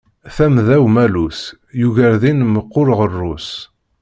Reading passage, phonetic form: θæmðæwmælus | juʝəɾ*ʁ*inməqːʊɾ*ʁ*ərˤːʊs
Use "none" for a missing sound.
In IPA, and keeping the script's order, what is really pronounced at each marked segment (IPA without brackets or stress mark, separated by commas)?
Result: ð, ʁ